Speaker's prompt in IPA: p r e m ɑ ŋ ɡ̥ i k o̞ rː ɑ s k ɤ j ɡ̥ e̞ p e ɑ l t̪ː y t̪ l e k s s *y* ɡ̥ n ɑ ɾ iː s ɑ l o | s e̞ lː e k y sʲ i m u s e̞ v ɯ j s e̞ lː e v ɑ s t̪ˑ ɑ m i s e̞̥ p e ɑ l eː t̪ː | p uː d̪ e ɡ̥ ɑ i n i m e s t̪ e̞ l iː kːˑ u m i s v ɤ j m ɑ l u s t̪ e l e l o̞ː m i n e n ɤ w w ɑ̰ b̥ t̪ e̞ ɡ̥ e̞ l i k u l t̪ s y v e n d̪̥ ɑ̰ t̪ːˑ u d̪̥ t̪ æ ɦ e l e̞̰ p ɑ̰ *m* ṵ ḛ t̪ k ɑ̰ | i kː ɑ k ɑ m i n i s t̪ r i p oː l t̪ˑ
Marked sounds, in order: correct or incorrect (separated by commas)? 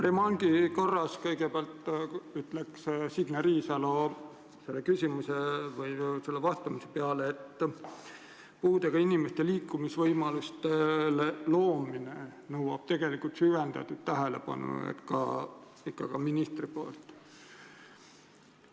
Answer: incorrect, incorrect